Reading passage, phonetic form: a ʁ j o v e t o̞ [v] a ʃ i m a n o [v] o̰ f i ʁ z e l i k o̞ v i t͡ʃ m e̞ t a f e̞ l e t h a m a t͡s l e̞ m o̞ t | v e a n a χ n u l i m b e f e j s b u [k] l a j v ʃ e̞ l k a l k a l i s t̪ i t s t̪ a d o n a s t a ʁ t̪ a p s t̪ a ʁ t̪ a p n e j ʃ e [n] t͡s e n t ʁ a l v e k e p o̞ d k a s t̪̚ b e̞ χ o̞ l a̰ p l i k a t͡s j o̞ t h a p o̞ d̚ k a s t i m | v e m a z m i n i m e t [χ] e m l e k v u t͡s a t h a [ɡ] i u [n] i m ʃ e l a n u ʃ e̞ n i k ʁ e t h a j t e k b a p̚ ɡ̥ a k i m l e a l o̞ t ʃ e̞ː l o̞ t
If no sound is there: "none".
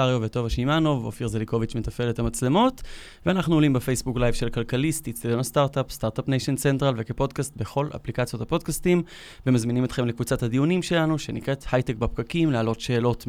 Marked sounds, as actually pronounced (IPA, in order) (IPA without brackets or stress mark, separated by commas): v, v, k, n, χ, d, n